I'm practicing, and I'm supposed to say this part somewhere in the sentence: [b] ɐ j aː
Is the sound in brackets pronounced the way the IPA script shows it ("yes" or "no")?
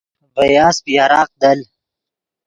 yes